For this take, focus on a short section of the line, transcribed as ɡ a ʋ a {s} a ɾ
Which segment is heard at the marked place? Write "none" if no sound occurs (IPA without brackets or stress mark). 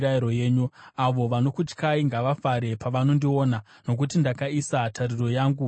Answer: f